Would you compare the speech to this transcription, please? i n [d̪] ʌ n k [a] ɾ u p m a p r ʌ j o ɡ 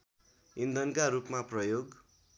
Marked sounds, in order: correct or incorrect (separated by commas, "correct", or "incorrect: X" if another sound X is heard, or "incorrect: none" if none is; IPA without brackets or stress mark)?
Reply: correct, correct